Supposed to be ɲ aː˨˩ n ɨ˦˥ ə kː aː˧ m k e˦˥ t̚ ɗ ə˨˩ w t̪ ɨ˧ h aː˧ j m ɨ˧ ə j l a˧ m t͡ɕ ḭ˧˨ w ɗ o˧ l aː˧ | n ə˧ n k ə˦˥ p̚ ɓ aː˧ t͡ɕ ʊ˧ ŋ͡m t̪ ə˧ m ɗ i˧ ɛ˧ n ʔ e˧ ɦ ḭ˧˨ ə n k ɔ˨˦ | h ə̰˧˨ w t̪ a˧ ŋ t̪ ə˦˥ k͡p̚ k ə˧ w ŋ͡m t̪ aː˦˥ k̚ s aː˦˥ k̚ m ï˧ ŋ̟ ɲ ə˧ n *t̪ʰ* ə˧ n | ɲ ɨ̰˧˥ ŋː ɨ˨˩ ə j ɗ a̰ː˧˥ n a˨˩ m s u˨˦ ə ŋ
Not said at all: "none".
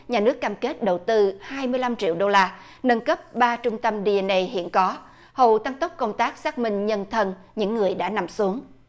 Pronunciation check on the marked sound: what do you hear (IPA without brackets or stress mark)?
t̪ʰ